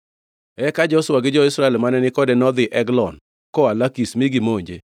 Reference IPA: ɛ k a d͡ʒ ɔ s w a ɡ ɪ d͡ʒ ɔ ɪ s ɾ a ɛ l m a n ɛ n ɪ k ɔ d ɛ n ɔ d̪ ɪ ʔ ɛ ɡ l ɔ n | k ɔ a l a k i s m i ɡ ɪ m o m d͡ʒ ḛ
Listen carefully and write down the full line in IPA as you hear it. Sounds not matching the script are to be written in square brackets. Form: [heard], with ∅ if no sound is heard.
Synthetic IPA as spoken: ɛ k a d͡ʒ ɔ s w a ɡ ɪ d͡ʒ ɔ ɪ s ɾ a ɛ l m a n ɛ n ɪ k ɔ d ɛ n ɔ d̪ ɪ ʔ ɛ ɡ l ɔ n | k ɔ a l a k i s m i ɡ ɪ m o [ɲ] d͡ʒ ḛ